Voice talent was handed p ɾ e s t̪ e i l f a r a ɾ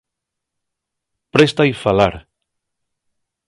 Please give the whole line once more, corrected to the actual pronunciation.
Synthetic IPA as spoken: p ɾ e s t̪ a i f a l a ɾ